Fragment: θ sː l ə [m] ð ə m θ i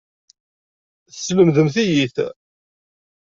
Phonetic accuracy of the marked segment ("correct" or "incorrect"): correct